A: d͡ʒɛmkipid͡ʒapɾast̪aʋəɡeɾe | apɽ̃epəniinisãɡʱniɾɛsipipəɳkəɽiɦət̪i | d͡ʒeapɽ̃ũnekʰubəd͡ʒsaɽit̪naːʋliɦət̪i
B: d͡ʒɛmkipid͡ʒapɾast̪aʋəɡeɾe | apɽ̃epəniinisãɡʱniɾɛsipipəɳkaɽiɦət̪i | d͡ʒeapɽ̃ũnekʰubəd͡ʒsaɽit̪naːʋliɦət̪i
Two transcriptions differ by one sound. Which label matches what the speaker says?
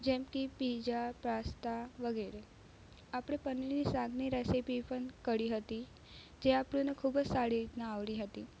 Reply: A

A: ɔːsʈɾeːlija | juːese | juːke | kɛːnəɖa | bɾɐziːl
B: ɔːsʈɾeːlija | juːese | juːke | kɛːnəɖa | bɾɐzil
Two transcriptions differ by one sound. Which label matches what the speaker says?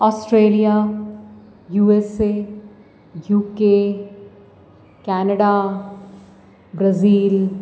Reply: A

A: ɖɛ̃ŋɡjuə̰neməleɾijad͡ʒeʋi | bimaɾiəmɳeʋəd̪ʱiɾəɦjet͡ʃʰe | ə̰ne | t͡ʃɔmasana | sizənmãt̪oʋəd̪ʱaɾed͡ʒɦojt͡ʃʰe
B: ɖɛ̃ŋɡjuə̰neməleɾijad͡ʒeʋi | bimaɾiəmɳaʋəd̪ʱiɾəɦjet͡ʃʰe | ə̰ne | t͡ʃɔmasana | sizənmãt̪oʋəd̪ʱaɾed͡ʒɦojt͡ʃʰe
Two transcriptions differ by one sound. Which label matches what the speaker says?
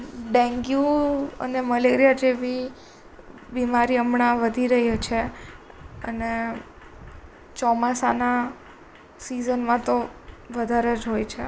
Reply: B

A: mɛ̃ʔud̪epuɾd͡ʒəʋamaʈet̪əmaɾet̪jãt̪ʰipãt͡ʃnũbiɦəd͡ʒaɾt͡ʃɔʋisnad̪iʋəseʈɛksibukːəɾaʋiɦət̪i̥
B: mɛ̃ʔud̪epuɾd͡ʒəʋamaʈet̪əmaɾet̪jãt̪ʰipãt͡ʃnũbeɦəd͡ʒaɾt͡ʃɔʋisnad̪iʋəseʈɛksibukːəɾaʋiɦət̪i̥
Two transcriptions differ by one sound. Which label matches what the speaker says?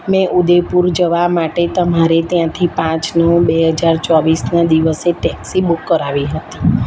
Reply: B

